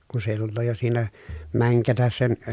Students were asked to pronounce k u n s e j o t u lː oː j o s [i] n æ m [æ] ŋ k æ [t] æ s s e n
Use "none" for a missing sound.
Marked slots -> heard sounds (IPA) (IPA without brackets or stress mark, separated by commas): iː, æ, t